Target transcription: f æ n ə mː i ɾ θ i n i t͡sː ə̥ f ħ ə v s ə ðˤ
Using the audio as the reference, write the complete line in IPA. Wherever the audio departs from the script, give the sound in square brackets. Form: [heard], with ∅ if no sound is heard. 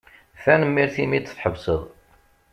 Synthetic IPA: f æ n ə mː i ɾ θ i [m] i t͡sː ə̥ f ħ ə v s ə ðˤ